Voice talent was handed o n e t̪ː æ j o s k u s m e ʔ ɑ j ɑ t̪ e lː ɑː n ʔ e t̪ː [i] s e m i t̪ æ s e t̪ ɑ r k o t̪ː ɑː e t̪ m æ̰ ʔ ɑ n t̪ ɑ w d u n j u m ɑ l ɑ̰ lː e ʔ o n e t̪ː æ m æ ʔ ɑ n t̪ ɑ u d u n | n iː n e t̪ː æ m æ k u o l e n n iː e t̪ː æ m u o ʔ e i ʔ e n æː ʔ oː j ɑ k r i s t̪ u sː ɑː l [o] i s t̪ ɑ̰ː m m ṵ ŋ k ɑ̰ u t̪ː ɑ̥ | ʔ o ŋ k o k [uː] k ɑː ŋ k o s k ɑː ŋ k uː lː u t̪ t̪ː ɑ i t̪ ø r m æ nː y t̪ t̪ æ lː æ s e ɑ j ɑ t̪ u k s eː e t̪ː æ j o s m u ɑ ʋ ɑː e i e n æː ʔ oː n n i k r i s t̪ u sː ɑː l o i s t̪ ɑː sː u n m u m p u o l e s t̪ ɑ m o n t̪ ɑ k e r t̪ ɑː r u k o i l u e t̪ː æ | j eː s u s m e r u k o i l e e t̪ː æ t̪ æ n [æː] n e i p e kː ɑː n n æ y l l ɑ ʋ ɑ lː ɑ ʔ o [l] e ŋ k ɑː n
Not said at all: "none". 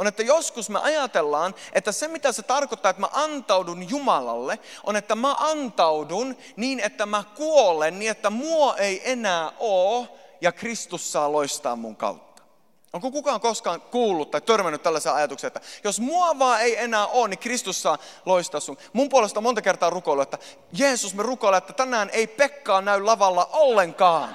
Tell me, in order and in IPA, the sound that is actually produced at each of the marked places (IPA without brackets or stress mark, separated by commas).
æ, o, u, æː, lː